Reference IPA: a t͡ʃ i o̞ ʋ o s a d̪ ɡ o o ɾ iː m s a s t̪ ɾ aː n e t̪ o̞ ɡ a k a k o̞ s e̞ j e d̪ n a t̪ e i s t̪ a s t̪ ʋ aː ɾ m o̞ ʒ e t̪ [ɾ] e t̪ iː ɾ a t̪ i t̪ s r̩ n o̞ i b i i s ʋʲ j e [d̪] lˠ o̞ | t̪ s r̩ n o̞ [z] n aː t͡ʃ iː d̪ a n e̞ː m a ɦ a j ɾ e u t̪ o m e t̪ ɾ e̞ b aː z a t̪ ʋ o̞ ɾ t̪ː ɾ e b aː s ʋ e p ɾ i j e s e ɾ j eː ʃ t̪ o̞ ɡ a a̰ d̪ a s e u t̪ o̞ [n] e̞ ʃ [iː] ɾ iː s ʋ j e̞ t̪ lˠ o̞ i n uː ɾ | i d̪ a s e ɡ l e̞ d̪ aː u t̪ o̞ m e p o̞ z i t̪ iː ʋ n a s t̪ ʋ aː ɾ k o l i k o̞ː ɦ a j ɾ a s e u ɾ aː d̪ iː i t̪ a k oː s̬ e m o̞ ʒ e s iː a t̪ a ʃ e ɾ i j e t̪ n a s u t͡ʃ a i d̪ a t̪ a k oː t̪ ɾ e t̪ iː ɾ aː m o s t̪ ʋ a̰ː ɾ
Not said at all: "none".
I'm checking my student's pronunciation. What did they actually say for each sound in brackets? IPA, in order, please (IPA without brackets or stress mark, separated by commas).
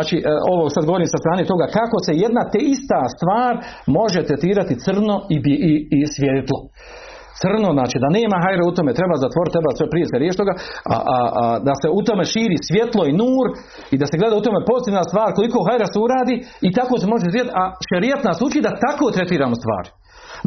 ɾ, t̪, z, m, iː